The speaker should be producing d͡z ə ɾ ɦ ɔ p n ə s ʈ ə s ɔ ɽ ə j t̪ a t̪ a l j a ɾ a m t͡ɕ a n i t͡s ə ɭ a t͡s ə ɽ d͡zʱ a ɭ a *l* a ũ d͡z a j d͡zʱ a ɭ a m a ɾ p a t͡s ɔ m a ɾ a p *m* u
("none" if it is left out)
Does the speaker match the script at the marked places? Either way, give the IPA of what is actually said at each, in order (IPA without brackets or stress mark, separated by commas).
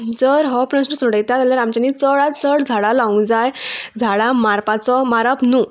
l, n